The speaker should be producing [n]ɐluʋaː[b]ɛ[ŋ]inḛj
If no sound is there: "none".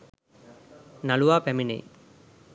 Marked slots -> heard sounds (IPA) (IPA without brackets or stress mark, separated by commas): n, p, m